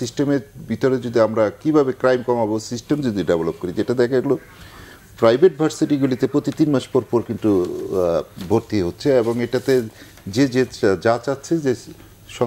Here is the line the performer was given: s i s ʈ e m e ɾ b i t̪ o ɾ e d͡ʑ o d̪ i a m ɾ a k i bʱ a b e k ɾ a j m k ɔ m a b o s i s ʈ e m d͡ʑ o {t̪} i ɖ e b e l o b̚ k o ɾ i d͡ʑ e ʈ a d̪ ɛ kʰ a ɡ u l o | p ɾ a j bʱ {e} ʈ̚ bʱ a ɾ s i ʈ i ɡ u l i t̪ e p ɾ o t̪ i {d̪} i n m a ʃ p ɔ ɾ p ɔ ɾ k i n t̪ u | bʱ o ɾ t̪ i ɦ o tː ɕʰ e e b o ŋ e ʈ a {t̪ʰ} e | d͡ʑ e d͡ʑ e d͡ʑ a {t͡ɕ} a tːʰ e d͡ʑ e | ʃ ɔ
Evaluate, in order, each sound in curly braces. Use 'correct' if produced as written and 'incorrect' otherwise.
incorrect, correct, incorrect, incorrect, correct

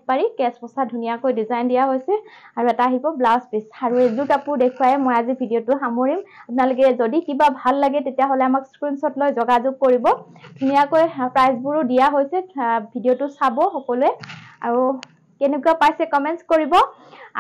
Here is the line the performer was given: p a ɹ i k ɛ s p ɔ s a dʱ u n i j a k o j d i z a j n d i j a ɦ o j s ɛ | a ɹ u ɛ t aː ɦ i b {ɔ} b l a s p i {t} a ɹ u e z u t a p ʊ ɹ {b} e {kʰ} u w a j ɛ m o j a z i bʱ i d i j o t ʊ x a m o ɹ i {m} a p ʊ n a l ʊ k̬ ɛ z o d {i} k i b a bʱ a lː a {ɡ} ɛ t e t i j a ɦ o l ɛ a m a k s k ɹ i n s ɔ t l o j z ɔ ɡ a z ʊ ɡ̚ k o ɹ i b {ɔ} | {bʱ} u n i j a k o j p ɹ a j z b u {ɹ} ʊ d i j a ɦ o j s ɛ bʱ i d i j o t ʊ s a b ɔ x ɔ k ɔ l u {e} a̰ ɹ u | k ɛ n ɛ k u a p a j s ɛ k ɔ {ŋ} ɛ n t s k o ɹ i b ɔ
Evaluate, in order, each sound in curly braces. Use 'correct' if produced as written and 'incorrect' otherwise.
correct, incorrect, incorrect, correct, correct, correct, correct, correct, incorrect, correct, incorrect, incorrect

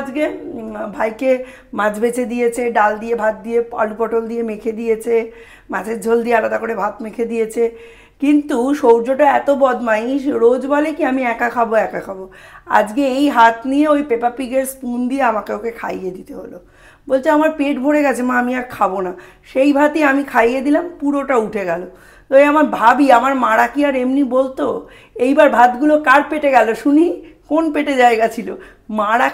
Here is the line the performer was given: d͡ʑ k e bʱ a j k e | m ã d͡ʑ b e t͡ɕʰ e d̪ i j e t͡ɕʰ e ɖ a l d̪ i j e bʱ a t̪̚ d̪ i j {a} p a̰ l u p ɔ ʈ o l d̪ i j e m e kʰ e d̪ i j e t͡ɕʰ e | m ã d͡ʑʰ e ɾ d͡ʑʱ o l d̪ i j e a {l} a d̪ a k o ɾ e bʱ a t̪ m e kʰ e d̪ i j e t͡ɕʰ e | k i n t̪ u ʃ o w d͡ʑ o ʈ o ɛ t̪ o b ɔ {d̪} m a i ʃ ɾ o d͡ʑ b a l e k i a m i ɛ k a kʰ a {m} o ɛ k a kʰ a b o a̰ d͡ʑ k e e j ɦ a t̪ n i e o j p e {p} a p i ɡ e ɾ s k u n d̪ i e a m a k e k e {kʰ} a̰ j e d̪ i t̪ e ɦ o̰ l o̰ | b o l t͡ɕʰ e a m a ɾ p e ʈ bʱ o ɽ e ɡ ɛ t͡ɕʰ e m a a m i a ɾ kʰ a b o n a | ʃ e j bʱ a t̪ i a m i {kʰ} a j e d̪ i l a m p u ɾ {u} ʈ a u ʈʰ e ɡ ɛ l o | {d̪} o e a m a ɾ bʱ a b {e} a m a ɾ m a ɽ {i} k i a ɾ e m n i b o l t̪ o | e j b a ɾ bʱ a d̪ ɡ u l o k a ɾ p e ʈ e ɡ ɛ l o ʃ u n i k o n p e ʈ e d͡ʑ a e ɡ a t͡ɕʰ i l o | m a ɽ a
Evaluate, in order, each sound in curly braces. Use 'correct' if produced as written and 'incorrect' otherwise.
incorrect, correct, correct, incorrect, correct, correct, correct, incorrect, incorrect, incorrect, incorrect

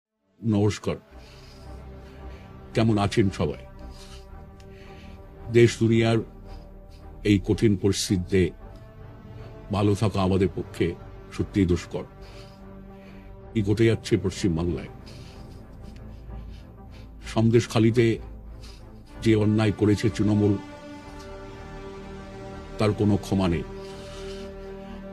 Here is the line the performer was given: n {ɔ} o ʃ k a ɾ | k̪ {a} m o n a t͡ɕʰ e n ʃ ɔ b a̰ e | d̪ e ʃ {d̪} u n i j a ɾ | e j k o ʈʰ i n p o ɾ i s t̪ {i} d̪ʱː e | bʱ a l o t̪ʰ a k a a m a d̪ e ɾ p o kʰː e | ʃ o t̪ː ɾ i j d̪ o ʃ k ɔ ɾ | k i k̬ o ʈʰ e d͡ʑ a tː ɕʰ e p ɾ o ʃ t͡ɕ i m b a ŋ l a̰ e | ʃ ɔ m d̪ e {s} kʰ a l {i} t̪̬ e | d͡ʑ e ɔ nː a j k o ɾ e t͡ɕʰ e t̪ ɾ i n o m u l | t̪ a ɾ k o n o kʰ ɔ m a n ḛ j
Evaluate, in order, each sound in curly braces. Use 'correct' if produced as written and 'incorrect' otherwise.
correct, incorrect, correct, correct, incorrect, correct

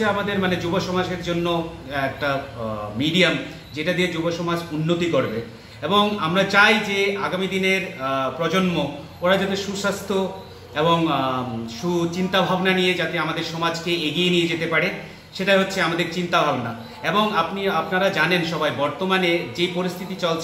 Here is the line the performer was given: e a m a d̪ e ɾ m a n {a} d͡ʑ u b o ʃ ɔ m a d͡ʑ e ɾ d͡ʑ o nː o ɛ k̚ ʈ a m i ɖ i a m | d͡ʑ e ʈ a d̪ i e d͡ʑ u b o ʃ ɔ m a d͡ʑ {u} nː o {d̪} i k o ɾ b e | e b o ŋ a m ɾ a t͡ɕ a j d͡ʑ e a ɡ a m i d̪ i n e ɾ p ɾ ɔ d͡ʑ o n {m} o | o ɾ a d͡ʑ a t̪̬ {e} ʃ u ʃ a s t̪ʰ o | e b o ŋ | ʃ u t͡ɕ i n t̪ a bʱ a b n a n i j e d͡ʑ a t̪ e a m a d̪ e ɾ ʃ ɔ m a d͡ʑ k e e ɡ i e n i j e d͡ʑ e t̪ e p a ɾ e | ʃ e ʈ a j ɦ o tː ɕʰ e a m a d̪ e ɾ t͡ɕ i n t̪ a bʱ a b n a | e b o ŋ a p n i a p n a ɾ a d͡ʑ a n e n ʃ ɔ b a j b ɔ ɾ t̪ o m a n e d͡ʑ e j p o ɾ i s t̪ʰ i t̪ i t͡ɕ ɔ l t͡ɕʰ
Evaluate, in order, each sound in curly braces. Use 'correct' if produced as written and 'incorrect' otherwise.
incorrect, correct, incorrect, correct, correct

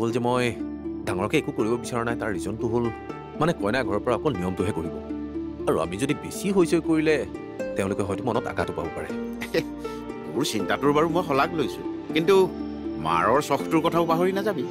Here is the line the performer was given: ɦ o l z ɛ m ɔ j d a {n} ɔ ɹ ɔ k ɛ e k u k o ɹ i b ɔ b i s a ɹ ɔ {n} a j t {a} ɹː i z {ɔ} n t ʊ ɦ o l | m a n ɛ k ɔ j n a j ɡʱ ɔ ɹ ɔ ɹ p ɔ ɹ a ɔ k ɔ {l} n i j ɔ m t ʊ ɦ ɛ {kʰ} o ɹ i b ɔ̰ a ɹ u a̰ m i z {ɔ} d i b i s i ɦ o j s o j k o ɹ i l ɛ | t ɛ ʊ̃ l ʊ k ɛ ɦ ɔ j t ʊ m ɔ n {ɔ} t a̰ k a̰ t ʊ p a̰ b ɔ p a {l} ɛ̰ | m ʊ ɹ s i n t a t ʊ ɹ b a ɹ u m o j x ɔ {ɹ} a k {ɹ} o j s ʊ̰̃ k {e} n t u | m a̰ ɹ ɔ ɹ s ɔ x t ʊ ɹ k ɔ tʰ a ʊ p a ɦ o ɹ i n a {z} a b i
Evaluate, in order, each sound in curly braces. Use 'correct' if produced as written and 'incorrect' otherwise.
incorrect, correct, correct, correct, correct, incorrect, incorrect, correct, incorrect, incorrect, incorrect, incorrect, correct

